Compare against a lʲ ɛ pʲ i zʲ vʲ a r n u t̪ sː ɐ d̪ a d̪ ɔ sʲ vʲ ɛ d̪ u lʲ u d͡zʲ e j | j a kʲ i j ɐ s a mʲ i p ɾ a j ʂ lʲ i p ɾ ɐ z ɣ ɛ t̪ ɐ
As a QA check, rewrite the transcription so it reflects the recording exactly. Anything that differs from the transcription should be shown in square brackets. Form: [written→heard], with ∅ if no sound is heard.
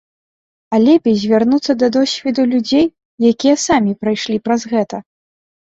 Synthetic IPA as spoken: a lʲ ɛ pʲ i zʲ vʲ a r n u t̪ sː ɐ d̪ [a→ɐ] d̪ ɔ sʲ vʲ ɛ d̪ u lʲ u d͡zʲ e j | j a kʲ i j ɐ s a mʲ i p ɾ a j ʂ lʲ i p ɾ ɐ z ɣ ɛ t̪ ɐ